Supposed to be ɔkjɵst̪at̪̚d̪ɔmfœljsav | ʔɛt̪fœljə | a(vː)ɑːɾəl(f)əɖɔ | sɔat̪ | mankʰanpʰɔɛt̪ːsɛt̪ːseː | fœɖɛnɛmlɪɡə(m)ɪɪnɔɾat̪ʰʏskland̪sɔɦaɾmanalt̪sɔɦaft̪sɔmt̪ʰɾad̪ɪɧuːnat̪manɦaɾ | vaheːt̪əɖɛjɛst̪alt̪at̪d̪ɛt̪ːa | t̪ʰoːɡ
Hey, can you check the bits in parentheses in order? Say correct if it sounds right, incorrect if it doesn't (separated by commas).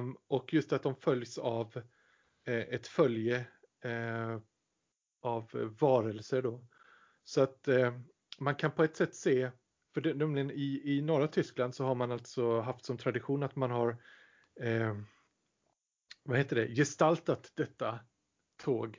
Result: correct, incorrect, incorrect